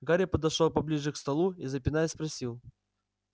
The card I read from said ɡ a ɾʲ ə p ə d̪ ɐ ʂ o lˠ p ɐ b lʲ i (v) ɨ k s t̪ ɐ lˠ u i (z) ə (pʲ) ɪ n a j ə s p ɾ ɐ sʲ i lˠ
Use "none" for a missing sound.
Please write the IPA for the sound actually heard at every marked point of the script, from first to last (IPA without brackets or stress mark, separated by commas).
ʐ, z, pʲ